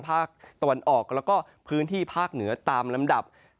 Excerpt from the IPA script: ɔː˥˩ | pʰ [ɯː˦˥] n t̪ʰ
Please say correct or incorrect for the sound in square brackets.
correct